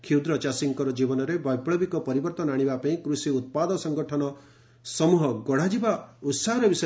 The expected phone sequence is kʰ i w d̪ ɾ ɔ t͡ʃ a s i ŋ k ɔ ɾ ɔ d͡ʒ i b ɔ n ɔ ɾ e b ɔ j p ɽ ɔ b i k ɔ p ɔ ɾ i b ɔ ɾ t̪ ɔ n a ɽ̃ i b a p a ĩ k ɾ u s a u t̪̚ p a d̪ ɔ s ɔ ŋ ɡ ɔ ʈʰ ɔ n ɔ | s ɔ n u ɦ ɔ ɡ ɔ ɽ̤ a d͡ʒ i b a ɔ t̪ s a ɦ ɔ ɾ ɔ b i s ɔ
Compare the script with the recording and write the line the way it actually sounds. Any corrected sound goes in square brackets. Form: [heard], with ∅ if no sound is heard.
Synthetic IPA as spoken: kʰ i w d̪ ɾ ɔ t͡ʃ a s i ŋ k ɔ ɾ ɔ d͡ʒ i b ɔ n ɔ ɾ e b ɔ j p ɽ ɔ b i k ɔ p ɔ ɾ i b ɔ ɾ t̪ ɔ n a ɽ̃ i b a p a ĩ k ɾ u s [i] u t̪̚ p a d̪ ɔ s ɔ ŋ ɡ ɔ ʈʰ ɔ n ɔ | s ɔ [m] u ɦ ɔ ɡ ɔ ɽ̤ a d͡ʒ i b a [u] t̪ s a ɦ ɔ ɾ ɔ b i s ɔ